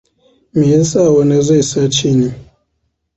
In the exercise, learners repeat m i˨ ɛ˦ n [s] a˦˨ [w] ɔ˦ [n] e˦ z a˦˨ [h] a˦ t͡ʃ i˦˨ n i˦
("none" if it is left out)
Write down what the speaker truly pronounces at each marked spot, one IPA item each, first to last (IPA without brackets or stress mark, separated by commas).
s, w, n, s